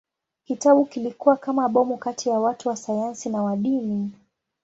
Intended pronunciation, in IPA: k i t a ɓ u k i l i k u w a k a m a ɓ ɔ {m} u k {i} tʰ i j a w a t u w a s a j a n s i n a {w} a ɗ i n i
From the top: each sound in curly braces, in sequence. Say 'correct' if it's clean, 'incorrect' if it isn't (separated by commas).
correct, incorrect, correct